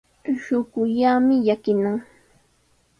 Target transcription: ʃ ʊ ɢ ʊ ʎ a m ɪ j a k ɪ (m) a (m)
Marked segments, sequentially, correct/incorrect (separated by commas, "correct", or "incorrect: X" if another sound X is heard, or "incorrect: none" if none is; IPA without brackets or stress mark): incorrect: n, incorrect: ŋ